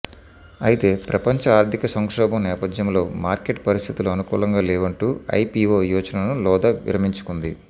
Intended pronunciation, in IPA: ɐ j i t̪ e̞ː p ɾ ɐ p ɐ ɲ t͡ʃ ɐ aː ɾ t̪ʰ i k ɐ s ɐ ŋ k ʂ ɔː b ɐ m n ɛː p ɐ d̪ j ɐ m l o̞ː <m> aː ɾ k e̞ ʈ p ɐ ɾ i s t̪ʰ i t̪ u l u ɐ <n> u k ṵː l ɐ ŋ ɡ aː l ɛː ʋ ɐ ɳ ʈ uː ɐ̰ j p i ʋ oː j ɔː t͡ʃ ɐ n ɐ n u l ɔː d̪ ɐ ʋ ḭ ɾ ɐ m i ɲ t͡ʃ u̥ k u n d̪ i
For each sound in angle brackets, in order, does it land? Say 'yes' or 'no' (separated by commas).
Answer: yes, yes